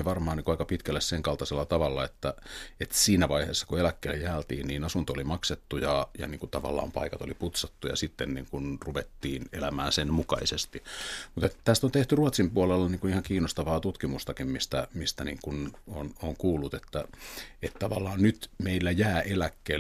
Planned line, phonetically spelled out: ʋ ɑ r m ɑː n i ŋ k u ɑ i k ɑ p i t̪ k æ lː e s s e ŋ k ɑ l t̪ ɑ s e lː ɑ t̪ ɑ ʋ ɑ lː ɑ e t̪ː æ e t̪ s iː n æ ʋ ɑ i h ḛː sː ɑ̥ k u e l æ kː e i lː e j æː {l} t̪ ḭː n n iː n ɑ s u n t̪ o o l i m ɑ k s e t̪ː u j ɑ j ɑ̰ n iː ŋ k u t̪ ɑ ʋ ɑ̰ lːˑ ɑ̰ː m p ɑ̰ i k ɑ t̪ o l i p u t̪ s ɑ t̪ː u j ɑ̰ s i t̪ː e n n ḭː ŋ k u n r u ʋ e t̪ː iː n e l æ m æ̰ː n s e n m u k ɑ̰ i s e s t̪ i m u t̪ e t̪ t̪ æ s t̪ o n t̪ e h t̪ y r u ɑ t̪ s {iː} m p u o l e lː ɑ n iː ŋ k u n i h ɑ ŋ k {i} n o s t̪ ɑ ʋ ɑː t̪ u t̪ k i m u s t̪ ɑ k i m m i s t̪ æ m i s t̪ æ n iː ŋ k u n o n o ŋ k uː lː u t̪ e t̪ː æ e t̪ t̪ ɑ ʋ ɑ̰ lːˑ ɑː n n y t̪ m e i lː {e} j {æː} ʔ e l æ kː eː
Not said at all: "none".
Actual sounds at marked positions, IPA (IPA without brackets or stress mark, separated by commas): l, i, iː, æ, æː